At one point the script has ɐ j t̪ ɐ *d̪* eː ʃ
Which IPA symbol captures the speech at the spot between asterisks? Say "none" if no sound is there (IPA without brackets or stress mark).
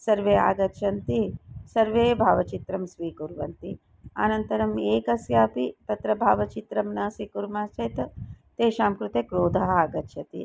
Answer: t̪